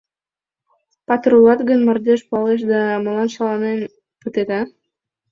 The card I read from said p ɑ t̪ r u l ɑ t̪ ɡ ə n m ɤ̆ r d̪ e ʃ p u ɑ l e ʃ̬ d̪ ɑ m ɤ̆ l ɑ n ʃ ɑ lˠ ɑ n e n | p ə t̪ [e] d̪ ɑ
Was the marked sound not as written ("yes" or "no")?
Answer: no